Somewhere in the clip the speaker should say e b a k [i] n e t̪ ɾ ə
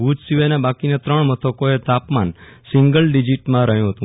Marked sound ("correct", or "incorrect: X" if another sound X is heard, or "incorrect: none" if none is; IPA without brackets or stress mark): correct